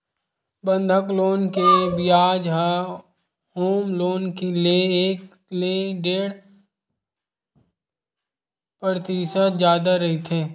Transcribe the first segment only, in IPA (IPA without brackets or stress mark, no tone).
b